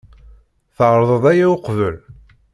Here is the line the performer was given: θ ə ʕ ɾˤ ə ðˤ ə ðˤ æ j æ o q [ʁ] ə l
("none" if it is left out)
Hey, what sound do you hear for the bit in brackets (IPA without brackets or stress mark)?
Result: v